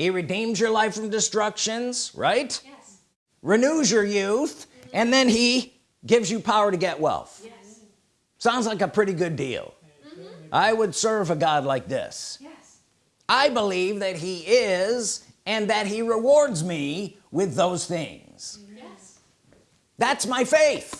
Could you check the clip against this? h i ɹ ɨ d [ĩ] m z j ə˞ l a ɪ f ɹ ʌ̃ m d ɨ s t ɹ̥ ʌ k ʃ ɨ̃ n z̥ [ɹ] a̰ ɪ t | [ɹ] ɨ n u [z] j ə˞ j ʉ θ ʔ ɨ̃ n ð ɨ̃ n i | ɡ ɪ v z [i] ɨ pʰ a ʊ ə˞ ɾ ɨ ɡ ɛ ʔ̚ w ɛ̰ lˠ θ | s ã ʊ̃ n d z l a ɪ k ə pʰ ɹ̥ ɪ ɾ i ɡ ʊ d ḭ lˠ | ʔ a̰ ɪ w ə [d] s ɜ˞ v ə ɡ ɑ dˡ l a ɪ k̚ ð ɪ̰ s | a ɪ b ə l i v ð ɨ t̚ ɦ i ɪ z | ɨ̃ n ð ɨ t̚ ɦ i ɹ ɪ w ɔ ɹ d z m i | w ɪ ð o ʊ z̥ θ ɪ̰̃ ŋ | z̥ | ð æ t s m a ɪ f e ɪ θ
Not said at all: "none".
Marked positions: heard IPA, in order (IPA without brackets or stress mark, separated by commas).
ĩ, ɹ, ɹ, z, j, d